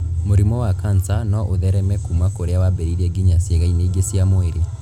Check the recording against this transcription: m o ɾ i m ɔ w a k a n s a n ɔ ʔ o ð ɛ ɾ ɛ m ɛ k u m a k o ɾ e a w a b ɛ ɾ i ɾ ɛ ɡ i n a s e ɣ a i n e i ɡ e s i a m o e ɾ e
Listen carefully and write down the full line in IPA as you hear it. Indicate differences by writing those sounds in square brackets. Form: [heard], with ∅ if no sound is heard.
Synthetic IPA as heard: m o ɾ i m ɔ w a k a n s a n ɔ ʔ o ð ɛ ɾ ɛ m ɛ k u m a k o ɾ e a w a b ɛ ɾ i ɾ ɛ ɡ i [ɲ] a s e ɣ a i n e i ɡ e s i a m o e ɾ e